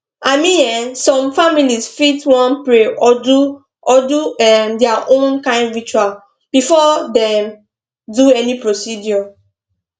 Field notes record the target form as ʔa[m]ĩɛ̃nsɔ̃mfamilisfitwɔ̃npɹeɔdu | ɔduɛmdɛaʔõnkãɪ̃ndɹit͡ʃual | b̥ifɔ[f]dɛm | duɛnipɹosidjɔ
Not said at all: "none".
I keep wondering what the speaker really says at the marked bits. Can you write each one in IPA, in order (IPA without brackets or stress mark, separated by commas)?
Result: m, none